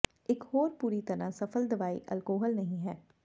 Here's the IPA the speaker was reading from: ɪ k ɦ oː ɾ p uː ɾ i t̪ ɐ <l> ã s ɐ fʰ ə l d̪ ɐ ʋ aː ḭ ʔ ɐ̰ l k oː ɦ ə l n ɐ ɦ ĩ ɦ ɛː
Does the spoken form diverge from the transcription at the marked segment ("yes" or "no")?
yes